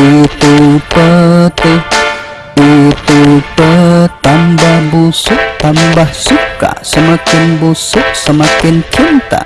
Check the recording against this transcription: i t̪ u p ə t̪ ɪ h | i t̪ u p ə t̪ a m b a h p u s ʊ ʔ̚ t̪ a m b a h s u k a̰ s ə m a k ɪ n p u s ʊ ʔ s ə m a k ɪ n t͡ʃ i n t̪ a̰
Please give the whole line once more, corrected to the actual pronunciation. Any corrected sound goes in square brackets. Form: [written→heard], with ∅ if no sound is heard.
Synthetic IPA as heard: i t̪ u p ə t̪ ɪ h | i t̪ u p ə t̪ a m b a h [p→b] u s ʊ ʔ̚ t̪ a m b a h s u k a̰ s ə m a k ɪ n [p→b] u s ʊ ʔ s ə m a k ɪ n t͡ʃ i n t̪ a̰